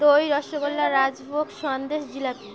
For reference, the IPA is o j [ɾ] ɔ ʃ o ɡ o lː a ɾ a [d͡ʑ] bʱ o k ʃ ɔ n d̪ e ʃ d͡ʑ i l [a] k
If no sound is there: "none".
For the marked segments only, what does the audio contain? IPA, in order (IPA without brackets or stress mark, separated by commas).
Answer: ɾ, d͡ʑ, a